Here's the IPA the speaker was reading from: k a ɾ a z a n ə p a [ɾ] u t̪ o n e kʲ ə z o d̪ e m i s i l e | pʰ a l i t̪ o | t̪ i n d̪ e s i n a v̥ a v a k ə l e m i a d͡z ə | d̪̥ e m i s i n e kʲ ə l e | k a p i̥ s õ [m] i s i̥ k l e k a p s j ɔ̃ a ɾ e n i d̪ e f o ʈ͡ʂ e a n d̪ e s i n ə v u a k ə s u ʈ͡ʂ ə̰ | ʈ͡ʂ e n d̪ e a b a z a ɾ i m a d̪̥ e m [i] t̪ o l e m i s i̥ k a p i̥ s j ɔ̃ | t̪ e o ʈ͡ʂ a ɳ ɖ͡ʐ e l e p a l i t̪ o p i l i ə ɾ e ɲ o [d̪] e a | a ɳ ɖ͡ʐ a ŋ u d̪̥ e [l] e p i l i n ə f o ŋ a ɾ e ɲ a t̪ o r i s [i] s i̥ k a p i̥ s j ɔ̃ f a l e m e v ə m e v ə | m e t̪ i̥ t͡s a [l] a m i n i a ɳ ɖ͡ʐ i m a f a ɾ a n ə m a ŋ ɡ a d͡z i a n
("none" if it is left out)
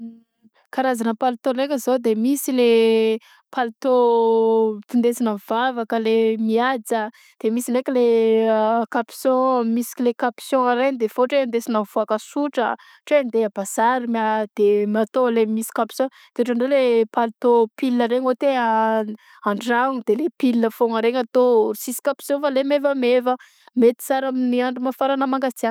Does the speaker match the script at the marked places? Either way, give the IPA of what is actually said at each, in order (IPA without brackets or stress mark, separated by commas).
l, m, a, t̪, l, i, ɾ